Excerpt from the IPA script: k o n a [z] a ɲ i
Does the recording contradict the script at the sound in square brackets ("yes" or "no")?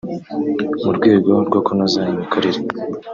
no